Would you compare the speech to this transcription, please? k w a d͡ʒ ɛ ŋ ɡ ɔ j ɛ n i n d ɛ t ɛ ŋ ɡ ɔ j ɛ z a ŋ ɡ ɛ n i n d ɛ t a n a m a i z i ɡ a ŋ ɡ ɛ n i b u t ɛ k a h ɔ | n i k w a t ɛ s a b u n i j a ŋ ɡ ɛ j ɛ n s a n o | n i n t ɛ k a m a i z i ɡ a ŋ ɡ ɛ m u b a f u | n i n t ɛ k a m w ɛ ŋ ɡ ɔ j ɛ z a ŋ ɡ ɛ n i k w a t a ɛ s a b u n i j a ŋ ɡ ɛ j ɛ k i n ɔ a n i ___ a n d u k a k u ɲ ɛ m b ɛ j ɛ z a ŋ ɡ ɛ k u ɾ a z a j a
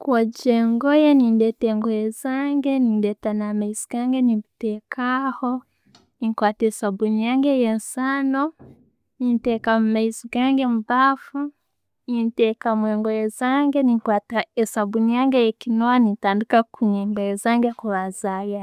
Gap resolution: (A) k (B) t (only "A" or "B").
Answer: B